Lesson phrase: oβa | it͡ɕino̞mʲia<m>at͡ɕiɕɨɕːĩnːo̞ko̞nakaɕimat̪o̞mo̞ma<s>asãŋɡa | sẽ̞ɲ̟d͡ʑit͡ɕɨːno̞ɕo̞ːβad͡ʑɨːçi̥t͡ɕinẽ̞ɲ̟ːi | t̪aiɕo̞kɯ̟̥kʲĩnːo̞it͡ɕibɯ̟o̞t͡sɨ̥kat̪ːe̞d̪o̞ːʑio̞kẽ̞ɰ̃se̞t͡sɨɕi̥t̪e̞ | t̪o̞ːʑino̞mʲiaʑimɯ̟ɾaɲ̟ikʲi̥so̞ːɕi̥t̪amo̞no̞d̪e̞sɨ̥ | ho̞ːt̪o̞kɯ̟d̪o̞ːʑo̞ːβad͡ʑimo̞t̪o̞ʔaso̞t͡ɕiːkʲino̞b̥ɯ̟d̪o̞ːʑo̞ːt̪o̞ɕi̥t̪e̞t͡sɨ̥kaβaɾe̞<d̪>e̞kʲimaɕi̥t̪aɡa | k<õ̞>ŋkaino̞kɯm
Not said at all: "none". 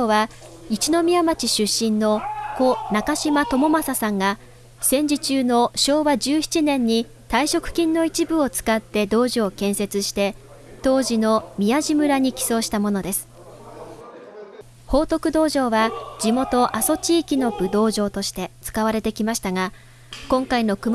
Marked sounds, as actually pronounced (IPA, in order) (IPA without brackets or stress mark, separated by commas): m, s, t̪, õ̞